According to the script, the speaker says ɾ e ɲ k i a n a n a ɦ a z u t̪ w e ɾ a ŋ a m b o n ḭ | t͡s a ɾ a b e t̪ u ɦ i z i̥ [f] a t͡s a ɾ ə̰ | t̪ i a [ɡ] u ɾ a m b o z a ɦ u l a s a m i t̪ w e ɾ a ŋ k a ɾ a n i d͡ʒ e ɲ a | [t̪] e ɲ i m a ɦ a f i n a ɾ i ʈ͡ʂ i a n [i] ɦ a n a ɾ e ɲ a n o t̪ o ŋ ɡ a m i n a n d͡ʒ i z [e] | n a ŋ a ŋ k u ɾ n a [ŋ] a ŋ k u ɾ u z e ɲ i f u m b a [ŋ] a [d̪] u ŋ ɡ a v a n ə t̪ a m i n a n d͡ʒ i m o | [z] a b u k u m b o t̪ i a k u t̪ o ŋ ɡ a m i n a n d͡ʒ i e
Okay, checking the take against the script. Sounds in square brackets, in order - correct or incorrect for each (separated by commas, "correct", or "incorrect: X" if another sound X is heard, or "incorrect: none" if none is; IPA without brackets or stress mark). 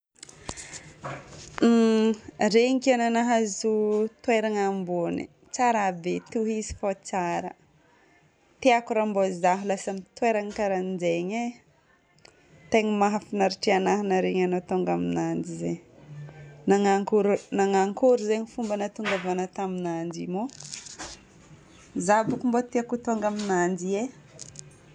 correct, incorrect: k, correct, incorrect: a, correct, correct, incorrect: n, incorrect: t̪, correct